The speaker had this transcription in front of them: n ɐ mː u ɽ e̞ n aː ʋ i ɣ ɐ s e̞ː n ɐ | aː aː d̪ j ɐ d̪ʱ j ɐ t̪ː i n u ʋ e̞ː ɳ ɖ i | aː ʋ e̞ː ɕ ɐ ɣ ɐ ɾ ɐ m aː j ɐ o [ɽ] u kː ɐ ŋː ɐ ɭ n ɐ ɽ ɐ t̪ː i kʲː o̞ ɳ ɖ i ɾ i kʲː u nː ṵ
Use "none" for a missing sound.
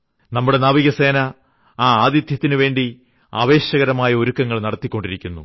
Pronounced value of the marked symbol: ɾ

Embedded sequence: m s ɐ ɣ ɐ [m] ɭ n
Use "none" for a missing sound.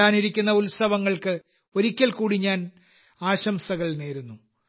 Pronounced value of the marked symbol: none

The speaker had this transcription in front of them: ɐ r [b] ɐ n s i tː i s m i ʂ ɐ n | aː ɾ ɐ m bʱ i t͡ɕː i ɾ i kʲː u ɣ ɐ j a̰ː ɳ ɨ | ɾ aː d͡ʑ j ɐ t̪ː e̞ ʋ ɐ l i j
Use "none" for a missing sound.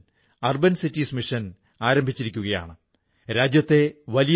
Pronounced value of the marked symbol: b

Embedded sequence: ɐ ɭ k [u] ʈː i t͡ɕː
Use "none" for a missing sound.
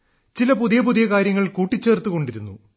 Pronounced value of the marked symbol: uː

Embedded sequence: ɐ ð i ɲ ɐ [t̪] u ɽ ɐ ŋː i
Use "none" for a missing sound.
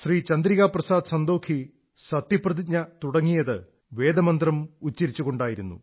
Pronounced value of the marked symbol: t̪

